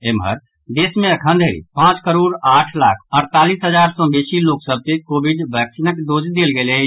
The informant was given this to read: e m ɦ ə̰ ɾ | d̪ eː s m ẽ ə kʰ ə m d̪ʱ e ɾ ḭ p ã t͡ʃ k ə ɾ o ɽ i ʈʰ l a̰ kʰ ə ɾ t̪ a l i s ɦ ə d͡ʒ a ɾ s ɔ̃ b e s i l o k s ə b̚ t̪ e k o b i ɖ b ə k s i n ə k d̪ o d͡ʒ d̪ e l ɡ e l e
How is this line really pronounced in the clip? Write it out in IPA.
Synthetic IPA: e m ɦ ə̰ ɾ | d̪ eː s m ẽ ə kʰ ə n d̪ʱ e ɾ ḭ p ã t͡ʃ k ə ɾ o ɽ a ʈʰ l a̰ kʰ ə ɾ t̪ a l i s ɦ ə d͡ʒ a ɾ s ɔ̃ b e s i l o k s ə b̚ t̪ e k o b i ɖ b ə k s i n ə k d̪ o d͡ʒ d̪ e l ɡ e l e